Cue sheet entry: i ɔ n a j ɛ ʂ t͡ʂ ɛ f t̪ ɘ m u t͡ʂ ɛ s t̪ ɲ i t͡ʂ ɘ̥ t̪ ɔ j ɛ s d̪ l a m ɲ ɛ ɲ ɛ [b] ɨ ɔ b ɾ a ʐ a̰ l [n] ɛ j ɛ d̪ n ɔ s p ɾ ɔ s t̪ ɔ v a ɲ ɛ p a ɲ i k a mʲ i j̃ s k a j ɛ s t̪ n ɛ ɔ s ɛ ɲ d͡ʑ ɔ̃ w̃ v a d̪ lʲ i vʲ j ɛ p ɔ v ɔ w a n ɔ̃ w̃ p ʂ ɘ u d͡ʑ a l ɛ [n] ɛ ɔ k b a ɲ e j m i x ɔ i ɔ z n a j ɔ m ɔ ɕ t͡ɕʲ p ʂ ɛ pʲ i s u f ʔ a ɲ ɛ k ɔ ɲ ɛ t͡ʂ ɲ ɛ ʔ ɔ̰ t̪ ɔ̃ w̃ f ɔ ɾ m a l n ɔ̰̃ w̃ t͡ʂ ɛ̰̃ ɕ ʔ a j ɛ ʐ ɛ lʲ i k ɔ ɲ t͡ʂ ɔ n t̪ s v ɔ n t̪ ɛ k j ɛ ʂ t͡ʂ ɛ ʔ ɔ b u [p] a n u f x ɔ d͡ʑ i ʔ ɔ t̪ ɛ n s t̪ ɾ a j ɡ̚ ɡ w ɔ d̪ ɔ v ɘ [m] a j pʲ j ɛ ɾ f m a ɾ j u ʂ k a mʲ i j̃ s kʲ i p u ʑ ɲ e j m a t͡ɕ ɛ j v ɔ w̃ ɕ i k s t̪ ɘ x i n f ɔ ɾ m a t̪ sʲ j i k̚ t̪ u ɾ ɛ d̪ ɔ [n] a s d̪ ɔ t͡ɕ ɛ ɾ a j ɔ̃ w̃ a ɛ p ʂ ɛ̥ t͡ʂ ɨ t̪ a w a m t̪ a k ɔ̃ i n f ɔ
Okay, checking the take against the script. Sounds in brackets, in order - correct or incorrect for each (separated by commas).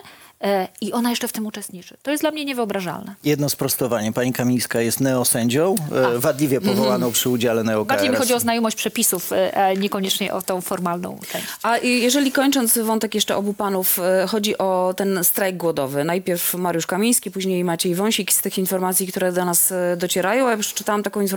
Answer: incorrect, correct, correct, correct, incorrect, correct